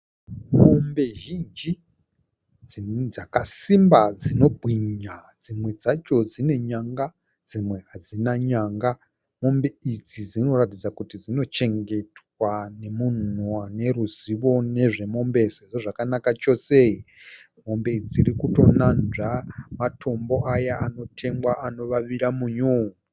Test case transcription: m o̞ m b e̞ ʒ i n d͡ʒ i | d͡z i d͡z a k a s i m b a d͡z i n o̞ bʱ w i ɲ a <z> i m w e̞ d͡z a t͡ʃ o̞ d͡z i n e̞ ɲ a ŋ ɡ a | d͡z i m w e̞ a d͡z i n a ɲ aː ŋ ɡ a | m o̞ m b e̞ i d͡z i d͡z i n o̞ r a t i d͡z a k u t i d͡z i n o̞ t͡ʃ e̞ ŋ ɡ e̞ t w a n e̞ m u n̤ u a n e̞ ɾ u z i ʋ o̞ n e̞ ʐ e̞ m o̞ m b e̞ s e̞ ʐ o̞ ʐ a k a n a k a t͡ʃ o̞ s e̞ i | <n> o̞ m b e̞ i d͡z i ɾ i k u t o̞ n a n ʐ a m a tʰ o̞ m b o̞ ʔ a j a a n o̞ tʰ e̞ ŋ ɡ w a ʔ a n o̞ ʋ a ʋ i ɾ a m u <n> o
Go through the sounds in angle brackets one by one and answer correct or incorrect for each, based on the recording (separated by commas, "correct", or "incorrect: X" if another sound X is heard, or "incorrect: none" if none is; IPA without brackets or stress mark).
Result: incorrect: d͡z, incorrect: m, incorrect: ɲ